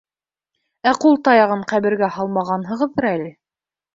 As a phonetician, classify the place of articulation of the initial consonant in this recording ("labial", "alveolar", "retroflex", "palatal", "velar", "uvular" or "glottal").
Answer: uvular